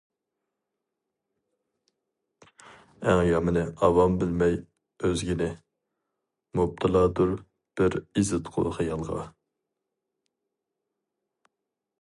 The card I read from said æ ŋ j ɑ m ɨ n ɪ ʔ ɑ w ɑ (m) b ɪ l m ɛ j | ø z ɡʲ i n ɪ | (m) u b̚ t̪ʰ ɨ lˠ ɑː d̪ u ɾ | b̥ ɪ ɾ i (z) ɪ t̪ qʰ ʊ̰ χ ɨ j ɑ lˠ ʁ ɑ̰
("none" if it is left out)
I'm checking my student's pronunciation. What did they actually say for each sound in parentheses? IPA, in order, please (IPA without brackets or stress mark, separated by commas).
m, m, z